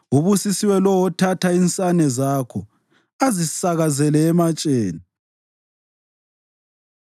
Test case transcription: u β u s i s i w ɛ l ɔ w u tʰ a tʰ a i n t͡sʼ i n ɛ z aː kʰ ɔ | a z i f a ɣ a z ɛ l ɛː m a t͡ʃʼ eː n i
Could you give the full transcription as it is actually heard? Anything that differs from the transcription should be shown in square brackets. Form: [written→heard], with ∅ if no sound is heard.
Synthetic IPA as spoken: u β u s i s i w ɛ l ɔ w [u→ɔ] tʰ a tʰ a i n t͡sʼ [i→a] n ɛ z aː kʰ ɔ | a z i [f→s] a ɣ a z ɛ l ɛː m a t͡ʃʼ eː n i